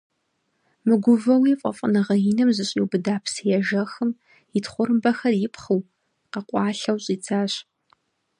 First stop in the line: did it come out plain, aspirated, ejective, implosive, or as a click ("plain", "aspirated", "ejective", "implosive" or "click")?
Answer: plain